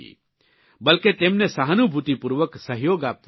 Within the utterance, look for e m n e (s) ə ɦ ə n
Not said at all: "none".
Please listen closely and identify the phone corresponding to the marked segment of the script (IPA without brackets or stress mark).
s